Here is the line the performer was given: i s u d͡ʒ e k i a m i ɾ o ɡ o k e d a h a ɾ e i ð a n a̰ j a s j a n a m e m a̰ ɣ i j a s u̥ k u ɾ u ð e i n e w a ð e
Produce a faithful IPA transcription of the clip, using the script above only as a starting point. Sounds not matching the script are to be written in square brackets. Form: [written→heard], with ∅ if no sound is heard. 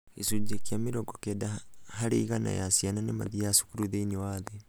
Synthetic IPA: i s u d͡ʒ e k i a m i ɾ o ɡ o k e d a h a ɾ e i [ð→ɣ] a n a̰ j a s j a n a [m→n] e m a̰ [ɣ→ð] i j a s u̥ k u ɾ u ð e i n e w a ð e